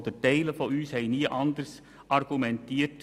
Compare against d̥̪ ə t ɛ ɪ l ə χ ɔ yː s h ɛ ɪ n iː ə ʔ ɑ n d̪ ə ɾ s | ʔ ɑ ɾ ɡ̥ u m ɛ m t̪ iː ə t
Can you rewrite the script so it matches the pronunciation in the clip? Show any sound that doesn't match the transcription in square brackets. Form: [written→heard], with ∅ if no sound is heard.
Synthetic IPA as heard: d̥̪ ə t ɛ ɪ l ə [χ→f] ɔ yː s h ɛ ɪ n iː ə ʔ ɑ n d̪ ə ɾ s | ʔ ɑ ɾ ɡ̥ u m ɛ [m→n] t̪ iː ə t

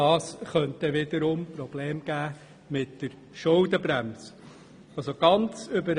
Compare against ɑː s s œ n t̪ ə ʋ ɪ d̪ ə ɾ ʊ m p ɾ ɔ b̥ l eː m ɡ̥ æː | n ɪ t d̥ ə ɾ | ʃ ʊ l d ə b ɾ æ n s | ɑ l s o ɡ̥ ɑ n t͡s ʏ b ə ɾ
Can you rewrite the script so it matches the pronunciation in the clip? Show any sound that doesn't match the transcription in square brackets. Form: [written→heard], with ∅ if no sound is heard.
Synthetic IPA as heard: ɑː s [s→χ] œ n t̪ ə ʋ ɪ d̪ ə ɾ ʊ m p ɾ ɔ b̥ l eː m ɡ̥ æː | [n→m] ɪ t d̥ ə ɾ | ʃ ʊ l d ə b ɾ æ [n→m] s | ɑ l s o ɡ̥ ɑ n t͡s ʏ b ə ɾ

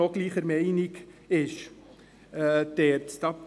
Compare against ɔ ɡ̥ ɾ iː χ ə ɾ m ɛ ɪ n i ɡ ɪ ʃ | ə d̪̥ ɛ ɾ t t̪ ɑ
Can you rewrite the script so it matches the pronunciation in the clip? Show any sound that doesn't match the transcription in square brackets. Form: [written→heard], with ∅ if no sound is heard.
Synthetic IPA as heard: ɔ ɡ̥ [ɾ→l] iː χ ə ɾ m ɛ ɪ n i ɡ ɪ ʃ | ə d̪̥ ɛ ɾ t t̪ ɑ

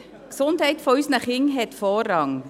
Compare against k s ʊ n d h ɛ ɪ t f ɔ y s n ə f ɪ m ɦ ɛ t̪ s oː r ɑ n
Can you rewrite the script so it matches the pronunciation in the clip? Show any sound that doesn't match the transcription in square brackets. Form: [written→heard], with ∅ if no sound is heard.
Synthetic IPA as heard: k s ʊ n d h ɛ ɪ t f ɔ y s n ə [f→χ] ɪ [m→ŋ] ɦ ɛ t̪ [s→f] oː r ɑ [n→ŋ]

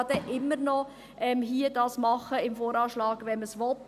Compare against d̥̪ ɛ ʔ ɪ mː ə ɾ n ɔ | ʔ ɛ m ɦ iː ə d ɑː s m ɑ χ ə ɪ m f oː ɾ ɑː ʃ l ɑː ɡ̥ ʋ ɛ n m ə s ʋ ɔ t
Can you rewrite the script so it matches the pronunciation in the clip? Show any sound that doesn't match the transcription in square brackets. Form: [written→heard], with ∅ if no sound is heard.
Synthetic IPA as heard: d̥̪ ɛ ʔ ɪ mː ə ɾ n ɔ | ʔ ɛ m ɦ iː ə d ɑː s m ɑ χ ə ɪ m f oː ɾ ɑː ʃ l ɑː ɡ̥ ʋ ɛ n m ə s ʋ ɔ t

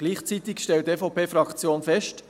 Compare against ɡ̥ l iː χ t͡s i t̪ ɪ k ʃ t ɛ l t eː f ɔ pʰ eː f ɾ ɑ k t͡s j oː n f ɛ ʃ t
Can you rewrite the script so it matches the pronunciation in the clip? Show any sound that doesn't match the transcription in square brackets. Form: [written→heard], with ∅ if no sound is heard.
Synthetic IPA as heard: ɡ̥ l iː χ t͡s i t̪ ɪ k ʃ t ɛ l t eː f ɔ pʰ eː f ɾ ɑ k t͡s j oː n f ɛ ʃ t

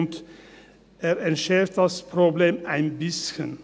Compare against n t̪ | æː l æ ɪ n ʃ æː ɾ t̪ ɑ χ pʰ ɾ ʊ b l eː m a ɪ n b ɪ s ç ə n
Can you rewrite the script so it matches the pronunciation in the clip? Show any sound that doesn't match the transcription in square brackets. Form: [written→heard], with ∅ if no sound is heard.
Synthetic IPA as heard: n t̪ | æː [l→ɾ] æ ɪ n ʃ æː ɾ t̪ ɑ [χ→s] pʰ ɾ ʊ b l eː m [a→æ] ɪ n b ɪ s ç ə n

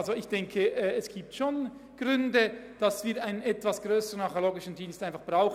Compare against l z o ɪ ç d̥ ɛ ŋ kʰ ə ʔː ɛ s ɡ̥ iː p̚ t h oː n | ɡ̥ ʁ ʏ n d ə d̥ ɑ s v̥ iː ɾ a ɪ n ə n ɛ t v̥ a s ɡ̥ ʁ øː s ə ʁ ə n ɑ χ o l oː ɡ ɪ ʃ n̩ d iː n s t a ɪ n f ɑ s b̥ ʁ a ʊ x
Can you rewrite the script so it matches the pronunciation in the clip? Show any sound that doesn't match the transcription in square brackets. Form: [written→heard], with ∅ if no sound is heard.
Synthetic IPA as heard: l z o ɪ ç d̥ ɛ ŋ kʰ ə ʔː ɛ s ɡ̥ iː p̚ t [h→ʃ] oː n | ɡ̥ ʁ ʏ n d ə d̥ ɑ s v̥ iː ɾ a ɪ n ə n ɛ t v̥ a s ɡ̥ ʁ øː s ə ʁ ə n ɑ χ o l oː ɡ ɪ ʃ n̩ d iː n s t a ɪ n f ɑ [s→χ] b̥ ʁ a ʊ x

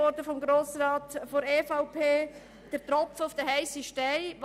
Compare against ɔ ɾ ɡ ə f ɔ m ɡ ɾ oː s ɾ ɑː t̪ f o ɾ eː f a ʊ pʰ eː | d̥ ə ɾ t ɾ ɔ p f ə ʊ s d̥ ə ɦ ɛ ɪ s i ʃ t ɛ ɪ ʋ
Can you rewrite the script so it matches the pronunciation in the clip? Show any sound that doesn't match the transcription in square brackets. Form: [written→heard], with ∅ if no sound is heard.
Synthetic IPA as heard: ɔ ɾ [ɡ→d] ə f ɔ m ɡ ɾ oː s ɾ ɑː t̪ f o ɾ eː f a ʊ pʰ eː | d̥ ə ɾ t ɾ ɔ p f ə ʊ [s→f] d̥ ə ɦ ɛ ɪ s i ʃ t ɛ ɪ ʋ

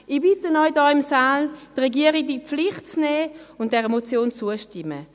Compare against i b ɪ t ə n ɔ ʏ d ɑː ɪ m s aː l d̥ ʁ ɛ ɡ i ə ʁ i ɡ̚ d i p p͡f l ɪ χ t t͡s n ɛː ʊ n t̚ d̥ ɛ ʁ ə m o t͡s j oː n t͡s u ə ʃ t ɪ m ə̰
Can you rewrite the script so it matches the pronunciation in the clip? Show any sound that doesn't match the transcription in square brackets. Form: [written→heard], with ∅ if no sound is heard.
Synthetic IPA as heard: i b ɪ t ə n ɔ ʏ d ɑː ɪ m s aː l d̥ ʁ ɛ ɡ i ə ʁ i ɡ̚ d i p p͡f l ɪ χ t t͡s n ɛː ʊ n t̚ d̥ ɛ ʁ ə m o t͡s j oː n t͡s u ə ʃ t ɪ m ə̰

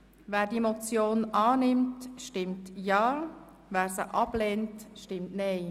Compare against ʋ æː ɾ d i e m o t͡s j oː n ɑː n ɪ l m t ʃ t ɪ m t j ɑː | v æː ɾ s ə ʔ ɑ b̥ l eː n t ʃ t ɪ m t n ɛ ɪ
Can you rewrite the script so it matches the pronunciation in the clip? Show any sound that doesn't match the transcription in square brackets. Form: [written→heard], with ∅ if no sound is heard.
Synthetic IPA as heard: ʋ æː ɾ d i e m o t͡s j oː n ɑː n ɪ [l→∅] m t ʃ t ɪ m t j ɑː | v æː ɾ s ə ʔ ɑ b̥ l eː n t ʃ t ɪ m t n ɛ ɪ

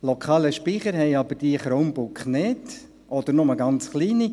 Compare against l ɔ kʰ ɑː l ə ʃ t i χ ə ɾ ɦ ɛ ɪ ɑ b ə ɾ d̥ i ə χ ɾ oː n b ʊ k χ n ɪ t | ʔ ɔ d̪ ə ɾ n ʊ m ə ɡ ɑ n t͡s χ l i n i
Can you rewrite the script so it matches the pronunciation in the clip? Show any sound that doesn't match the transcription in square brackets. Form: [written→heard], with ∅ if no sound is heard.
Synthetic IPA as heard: l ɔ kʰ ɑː l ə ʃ [t→p] i χ ə ɾ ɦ ɛ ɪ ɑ b ə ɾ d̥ i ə χ ɾ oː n b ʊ k χ n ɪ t | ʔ ɔ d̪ ə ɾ n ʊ m ə ɡ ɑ n t͡s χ l [i→iː] n i

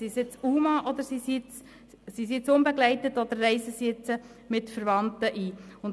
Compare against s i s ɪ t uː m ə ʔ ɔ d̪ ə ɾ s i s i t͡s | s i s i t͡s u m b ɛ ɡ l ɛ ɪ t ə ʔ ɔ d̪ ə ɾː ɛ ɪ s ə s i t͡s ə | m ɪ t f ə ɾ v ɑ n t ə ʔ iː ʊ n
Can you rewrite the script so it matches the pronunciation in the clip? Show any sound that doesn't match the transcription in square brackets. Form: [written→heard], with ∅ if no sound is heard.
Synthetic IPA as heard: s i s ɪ [t→t͡s] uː m [ə→ɑ] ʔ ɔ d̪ ə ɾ s i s i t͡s | s i s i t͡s [u→ʊ] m b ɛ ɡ l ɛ ɪ t ə [ʔ→t] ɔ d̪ ə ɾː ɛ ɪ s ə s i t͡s ə | m ɪ t f ə ɾ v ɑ n t ə ʔ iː ʊ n

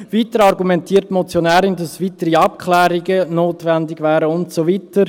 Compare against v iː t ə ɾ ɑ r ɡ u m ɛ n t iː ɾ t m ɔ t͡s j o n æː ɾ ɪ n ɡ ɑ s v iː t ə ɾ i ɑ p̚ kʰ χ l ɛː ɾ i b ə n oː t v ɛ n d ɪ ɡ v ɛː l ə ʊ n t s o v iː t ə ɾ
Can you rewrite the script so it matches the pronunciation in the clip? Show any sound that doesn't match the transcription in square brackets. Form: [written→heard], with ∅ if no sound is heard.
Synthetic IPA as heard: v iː t ə ɾ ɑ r ɡ u m ɛ n t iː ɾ t m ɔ t͡s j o n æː ɾ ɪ n [ɡ→d] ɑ s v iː t ə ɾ i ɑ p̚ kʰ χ l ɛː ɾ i [b→ɡ] ə n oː t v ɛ n d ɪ ɡ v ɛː [l→ɾ] ə ʊ n t s o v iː t ə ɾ

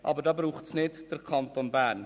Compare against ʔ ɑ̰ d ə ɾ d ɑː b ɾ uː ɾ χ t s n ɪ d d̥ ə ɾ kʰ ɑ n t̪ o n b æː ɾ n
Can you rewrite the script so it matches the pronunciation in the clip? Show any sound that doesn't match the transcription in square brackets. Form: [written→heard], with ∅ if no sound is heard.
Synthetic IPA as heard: ʔ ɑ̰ [d→b] ə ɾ d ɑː b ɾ uː [ɾ→∅] χ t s n ɪ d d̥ ə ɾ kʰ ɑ n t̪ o n b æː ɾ n

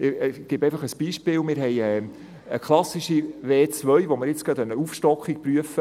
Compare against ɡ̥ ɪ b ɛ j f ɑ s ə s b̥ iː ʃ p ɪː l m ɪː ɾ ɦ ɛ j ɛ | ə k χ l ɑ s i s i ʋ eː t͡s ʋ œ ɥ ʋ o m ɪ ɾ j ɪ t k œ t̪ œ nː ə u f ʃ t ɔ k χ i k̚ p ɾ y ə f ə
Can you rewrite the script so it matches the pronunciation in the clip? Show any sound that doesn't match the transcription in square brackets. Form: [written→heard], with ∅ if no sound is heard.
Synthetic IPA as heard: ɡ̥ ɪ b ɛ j f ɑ [s→χ] ə s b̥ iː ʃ p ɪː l m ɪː ɾ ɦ ɛ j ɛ | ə k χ l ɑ s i [s→ʃ] i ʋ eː t͡s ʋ œ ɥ ʋ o m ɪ ɾ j ɪ [t→t͡s] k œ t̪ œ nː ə u f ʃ t ɔ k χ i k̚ p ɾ y ə f ə

